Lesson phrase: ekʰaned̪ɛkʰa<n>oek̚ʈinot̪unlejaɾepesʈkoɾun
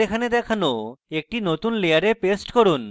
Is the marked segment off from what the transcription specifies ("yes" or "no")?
no